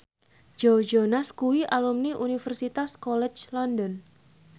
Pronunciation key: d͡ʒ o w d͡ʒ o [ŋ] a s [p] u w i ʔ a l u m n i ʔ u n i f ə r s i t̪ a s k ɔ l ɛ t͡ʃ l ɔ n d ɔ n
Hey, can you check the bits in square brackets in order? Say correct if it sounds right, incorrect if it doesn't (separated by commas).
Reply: incorrect, incorrect